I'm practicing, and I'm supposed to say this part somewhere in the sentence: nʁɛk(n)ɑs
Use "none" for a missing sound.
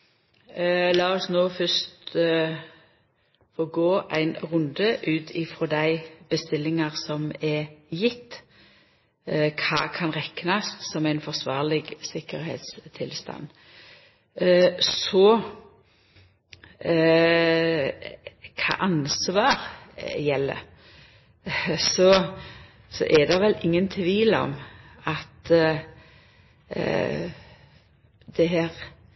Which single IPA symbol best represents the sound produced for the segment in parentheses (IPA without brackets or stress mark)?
n